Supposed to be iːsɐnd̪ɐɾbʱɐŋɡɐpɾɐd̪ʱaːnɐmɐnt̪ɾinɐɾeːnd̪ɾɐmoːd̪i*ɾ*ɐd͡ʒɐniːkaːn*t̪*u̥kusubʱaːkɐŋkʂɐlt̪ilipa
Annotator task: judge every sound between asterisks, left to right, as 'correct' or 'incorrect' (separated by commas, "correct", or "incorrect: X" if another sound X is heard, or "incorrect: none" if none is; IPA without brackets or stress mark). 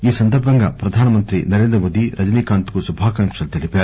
correct, correct